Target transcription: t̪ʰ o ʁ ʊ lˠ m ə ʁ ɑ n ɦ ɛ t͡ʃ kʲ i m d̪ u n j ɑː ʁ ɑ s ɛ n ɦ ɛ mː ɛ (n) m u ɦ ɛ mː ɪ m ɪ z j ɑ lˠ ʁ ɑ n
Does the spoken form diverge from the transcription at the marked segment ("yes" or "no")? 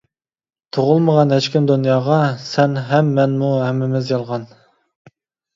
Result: no